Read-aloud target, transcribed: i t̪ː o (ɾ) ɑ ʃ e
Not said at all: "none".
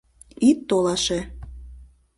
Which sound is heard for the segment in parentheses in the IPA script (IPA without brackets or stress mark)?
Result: l